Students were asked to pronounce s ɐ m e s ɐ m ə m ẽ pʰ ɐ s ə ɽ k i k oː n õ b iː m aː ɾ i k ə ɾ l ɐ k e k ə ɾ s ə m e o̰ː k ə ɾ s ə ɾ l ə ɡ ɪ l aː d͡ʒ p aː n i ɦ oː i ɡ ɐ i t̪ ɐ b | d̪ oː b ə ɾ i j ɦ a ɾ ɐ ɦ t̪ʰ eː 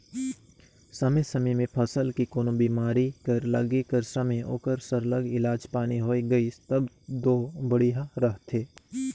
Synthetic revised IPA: s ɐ m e s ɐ m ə m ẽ pʰ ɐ s ə l k i k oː n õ b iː m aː ɾ i k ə ɾ l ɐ ɡ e k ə ɾ s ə m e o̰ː k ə ɾ s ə ɾ l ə ɡ ɪ l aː d͡ʒ p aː n i ɦ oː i ɡ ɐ i t̪ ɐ b | d̪ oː b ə ɽ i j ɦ a ɾ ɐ ɦ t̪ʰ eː